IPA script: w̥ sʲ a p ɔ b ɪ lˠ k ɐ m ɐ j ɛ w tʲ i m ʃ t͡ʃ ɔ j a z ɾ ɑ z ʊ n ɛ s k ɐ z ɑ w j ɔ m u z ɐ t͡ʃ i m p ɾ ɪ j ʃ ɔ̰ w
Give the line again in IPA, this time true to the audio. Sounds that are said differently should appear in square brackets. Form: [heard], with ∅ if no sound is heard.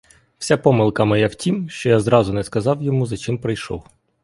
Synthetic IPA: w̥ sʲ a p ɔ [m] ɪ lˠ k ɐ m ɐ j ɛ w tʲ i m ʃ t͡ʃ ɔ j a z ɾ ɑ z ʊ n ɛ s k ɐ z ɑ w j ɔ m u z ɐ t͡ʃ [ɪ] m p ɾ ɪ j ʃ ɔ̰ w